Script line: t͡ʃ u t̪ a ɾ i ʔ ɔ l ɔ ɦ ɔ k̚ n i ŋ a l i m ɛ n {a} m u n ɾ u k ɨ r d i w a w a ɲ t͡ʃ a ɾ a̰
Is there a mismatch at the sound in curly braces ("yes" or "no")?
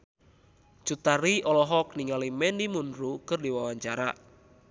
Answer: yes